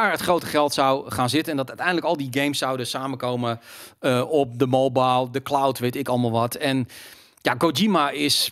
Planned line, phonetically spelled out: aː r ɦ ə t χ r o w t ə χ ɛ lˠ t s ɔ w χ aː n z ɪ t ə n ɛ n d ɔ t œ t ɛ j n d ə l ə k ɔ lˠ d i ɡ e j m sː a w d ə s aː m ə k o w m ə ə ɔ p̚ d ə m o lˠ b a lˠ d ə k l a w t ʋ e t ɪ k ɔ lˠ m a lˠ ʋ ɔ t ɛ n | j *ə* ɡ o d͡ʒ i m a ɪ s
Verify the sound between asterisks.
incorrect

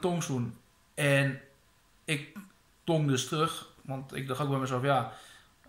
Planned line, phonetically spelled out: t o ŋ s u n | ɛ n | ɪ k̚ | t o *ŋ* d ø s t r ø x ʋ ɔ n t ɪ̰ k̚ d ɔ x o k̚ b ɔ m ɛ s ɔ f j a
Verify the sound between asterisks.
correct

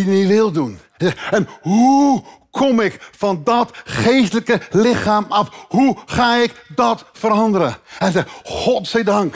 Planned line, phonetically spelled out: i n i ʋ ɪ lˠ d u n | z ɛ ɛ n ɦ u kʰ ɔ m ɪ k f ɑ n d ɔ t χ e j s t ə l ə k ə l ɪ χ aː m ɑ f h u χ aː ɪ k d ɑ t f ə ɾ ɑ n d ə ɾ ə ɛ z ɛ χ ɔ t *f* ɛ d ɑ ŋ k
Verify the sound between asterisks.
incorrect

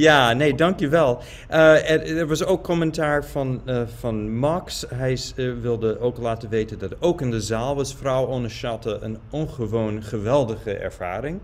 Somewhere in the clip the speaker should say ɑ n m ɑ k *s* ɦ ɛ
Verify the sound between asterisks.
correct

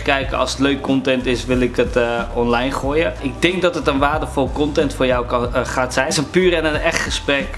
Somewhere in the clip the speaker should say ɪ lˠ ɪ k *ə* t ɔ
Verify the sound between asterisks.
correct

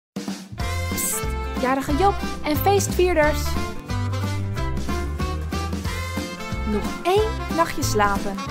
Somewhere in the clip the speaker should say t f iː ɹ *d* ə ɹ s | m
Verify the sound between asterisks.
correct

